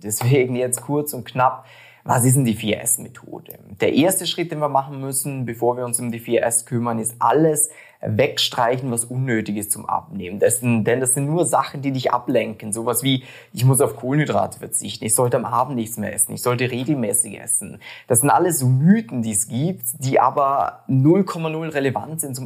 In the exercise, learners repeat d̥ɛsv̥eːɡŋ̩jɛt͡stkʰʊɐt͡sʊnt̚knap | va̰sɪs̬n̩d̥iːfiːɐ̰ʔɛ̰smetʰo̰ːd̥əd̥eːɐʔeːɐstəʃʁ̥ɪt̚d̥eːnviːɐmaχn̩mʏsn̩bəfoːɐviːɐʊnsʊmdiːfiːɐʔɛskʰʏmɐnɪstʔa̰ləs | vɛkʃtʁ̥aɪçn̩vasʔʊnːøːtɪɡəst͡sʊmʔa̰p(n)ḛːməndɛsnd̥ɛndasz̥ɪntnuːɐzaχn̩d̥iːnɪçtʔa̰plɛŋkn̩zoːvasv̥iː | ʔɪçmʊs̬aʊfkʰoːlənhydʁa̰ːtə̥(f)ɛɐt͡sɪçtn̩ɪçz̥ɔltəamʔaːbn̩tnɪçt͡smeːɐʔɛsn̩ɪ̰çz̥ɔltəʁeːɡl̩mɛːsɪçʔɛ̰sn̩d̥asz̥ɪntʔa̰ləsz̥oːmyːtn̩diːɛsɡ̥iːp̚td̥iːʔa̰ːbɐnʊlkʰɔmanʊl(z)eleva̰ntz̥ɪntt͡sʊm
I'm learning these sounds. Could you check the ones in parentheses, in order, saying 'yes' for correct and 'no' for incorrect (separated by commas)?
yes, yes, no